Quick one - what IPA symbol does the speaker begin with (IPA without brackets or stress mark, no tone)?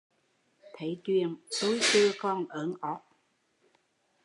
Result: t̪ʰ